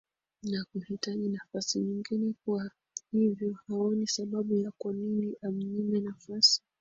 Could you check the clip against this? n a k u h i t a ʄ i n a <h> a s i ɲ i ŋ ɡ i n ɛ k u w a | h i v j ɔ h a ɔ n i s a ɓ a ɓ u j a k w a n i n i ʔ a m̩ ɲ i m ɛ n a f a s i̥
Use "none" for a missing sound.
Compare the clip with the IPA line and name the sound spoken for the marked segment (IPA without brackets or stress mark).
f